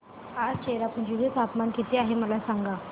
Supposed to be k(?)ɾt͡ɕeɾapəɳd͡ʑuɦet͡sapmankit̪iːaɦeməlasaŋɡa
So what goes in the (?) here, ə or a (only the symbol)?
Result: a